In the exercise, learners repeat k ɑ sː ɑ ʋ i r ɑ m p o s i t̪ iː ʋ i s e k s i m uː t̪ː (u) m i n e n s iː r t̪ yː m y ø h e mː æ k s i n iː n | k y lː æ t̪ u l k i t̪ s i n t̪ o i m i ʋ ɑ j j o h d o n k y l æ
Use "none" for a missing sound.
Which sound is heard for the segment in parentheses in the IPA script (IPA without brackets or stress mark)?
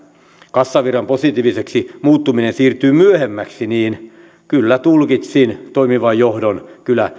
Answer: u